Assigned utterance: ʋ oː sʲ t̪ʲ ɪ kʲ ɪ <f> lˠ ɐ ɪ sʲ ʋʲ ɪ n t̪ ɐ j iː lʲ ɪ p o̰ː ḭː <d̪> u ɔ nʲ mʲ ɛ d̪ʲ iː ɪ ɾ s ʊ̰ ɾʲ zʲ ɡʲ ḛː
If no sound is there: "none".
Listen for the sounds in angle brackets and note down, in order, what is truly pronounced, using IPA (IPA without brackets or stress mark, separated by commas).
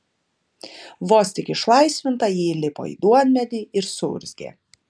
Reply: ʃ, d̪